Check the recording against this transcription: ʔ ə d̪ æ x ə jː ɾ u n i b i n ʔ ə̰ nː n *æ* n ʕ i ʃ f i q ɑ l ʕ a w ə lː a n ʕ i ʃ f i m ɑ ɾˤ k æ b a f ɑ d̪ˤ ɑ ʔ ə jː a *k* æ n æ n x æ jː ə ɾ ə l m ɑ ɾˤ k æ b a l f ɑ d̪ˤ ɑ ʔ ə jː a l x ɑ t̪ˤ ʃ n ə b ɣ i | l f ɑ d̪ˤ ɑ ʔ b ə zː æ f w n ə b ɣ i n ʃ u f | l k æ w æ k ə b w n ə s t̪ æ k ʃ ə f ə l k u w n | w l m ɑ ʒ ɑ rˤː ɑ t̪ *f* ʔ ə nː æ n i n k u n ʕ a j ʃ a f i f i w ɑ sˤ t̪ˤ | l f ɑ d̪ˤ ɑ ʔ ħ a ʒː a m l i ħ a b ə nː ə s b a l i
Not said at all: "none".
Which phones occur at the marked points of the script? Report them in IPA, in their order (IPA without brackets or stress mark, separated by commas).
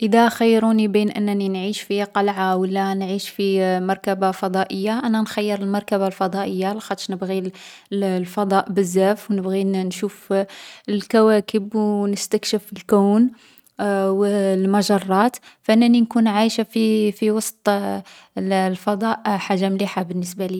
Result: i, ʔ, f